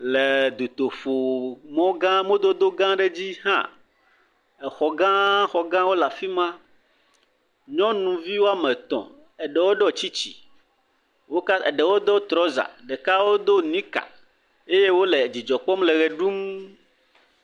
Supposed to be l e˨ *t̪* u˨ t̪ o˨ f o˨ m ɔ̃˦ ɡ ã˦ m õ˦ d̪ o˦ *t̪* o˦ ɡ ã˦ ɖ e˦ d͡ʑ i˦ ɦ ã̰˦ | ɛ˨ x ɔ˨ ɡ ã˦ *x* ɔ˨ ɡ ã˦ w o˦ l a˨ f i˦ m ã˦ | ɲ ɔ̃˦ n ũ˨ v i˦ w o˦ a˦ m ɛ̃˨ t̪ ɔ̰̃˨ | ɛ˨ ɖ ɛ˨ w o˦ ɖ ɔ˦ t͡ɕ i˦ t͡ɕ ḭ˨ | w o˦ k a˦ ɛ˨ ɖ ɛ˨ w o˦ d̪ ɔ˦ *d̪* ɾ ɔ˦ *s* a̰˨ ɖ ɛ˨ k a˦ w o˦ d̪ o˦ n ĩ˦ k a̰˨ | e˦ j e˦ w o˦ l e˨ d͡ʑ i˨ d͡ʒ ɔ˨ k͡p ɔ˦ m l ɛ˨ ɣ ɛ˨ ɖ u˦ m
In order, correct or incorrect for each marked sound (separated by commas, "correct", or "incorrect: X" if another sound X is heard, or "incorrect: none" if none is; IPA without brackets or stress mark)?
incorrect: d̪, incorrect: d̪, correct, incorrect: t̪, incorrect: z